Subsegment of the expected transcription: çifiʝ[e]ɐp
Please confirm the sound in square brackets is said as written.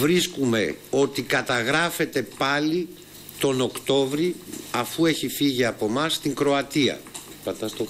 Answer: no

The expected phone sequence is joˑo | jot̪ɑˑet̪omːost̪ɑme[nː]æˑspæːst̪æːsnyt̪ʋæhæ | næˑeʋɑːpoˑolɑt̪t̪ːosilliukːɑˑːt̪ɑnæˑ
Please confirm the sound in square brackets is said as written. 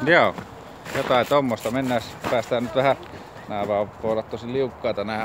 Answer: yes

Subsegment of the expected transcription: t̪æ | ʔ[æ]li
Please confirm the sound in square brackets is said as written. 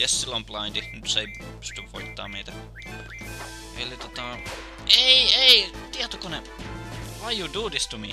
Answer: no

